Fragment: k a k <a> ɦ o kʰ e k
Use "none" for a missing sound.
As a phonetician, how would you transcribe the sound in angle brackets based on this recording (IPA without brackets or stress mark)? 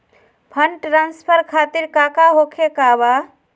a